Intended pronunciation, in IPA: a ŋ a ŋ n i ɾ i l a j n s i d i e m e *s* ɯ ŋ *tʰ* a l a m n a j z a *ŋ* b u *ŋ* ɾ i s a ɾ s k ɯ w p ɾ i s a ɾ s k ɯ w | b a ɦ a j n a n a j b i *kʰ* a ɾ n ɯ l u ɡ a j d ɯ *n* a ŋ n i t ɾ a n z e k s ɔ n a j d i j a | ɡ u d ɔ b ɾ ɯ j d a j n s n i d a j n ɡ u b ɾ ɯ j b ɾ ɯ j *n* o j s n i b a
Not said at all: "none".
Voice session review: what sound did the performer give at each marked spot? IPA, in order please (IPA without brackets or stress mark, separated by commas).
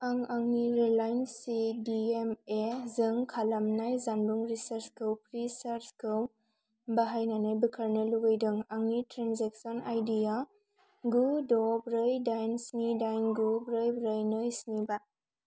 z, kʰ, n, ŋ, kʰ, ŋ, n